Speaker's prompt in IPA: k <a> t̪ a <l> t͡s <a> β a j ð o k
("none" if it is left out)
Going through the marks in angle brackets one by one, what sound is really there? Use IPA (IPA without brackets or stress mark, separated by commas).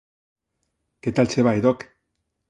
e, l, e